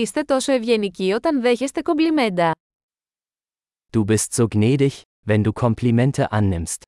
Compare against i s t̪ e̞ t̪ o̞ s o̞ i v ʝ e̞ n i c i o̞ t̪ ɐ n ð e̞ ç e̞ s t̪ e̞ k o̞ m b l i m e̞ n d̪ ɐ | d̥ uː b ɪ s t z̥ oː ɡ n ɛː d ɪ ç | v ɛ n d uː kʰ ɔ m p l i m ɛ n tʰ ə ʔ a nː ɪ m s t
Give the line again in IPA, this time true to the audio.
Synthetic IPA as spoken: i s t̪ e̞ t̪ o̞ s o̞ e v ʝ e̞ n i c i o̞ t̪ ɐ n ð e̞ ç e̞ s t̪ e̞ k o̞ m b l i m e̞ n d̪ ɐ | d̥ uː b ɪ s t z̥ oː ɡ n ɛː d ɪ ç | v ɛ n d uː kʰ ɔ m p l i m ɛ n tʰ ə ʔ a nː ɪ m s t